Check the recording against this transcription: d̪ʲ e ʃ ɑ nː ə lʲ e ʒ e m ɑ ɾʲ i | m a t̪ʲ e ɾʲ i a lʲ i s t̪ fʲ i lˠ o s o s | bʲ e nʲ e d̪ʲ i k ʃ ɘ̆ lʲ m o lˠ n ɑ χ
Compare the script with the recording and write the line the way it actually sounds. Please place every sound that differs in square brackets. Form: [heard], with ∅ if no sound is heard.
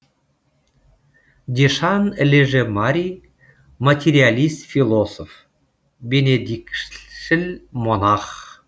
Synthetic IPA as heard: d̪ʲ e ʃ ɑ [n] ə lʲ e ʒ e m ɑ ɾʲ i | m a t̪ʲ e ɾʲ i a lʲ i s t̪ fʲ i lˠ o s o [f] | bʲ e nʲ e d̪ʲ i k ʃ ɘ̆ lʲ m o [∅] n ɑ χ

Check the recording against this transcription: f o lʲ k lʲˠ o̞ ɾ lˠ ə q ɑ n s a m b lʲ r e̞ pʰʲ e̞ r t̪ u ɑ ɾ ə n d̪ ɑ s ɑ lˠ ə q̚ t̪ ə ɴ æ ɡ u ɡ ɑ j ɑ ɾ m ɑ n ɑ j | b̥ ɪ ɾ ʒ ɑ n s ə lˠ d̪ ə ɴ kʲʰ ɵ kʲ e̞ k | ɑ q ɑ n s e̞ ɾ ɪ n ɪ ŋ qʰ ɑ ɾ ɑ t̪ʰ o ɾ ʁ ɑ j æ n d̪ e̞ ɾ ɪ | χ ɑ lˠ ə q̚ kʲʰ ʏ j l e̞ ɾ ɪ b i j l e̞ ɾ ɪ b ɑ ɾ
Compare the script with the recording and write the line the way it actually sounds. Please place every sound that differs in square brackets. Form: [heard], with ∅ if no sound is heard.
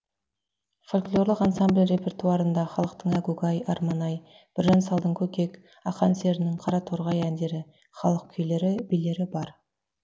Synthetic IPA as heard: f o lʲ k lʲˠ o̞ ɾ lˠ ə q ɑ n s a m b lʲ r e̞ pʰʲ e̞ r t̪ u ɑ ɾ ə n d̪ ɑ [χ] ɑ lˠ ə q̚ t̪ ə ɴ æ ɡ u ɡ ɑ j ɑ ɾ m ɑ n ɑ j | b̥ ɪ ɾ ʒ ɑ n s [ɑ] lˠ d̪ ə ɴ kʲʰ ɵ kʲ e̞ k | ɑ q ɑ n s e̞ ɾ ɪ n ɪ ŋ qʰ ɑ ɾ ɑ t̪ʰ o ɾ ʁ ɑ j æ n d̪ e̞ ɾ ɪ | χ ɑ lˠ ə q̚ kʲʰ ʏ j l e̞ ɾ ɪ b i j l e̞ ɾ ɪ b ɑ ɾ

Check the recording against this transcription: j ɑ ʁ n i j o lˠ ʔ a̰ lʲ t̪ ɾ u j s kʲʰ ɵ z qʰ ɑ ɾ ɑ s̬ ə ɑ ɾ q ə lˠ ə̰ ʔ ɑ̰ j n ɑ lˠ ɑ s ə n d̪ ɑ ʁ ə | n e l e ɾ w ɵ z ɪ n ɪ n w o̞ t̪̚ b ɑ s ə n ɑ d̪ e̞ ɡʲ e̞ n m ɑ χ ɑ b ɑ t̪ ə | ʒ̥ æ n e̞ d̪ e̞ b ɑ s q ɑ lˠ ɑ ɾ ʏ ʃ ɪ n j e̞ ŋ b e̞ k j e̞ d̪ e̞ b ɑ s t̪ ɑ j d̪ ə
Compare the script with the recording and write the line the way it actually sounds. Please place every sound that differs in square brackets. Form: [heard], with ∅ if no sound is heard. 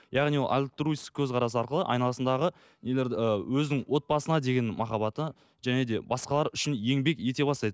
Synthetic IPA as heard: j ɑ ʁ n i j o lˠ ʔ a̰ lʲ t̪ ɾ u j s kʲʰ ɵ z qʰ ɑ ɾ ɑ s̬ ə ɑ ɾ q ə lˠ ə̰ ʔ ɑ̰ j n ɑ lˠ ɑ s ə n d̪ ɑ ʁ ə | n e l e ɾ w ɵ z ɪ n ɪ [ŋ] w o̞ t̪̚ b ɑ s ə n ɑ d̪ e̞ ɡʲ e̞ n m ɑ χ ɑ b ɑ t̪ ə | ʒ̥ æ n e̞ d̪ e̞ b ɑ s q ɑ lˠ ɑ ɾ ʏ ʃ ɪ n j e̞ ŋ b e̞ k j e̞ [t̪] e̞ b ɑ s t̪ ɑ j d̪ ə

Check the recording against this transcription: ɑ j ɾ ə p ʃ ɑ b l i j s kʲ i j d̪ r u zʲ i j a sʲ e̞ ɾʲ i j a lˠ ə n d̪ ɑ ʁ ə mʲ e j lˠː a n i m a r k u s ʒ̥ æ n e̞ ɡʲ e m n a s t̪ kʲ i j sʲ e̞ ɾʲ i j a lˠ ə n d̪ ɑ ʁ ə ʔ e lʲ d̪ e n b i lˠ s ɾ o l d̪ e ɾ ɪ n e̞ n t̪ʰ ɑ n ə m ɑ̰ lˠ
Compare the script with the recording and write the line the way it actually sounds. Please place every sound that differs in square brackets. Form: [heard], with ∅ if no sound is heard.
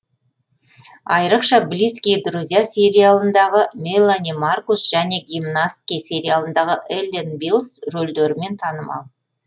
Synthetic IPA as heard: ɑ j ɾ ə [q] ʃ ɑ b l i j s kʲ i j d̪ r u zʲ i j a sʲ e̞ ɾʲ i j a lˠ ə n d̪ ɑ ʁ ə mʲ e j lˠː a n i m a r k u s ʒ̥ æ n e̞ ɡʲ [i] m n a s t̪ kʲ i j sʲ e̞ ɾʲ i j a lˠ ə n d̪ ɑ ʁ ə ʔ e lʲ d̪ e n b i lˠ s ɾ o l d̪ e ɾ ɪ [m] e̞ n t̪ʰ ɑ n ə m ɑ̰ lˠ

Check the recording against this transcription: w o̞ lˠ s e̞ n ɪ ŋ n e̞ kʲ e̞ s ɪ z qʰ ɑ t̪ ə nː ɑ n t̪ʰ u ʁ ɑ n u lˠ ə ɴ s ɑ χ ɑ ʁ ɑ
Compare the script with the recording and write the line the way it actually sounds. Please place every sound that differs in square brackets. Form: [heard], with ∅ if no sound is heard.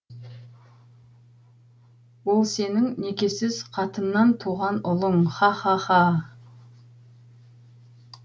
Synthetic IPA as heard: w o̞ lˠ s e̞ n ɪ ŋ n e̞ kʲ e̞ s ɪ z qʰ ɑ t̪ ə nː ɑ n t̪ʰ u ʁ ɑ n [ʊ] lˠ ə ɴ [χ] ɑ χ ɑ [χ] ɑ

